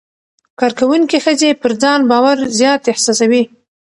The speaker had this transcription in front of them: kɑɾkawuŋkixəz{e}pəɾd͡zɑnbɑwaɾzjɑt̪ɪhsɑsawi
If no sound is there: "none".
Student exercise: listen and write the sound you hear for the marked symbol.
e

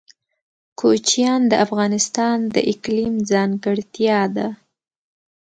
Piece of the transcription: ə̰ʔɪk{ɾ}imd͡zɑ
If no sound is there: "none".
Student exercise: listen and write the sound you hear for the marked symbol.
l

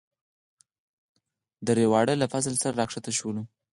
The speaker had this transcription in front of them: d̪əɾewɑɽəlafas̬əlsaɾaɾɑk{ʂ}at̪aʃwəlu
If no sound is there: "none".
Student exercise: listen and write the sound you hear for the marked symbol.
ʂ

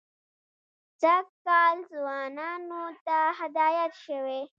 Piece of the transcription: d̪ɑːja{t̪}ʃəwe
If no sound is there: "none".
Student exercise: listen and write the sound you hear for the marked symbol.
t̪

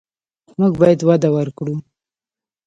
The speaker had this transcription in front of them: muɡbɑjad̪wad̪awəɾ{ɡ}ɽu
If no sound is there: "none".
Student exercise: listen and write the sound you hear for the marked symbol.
k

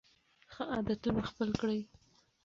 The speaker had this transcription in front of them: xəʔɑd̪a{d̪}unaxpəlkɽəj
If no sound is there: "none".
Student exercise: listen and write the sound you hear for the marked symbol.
t̪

